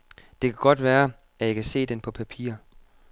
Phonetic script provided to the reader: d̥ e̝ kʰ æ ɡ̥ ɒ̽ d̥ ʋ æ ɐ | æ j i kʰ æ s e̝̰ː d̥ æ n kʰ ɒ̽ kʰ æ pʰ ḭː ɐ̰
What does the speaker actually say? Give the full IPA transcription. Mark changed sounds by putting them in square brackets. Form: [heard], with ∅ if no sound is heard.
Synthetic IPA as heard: d̥ e̝ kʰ æ ɡ̥ ɒ̽ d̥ ʋ [æː] ɐ | æ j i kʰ æ s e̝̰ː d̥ [e] n [pʰ] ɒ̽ [pʰ] æ pʰ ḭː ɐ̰